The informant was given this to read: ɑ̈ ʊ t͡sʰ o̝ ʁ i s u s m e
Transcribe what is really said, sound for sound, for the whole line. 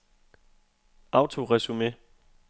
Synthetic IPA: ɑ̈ ʊ t͡sʰ o̝ ʁ ɛ s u m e